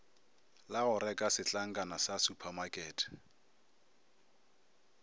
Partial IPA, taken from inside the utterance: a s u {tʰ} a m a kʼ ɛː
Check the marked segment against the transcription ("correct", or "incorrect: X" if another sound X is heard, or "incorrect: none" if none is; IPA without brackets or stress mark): incorrect: pʰ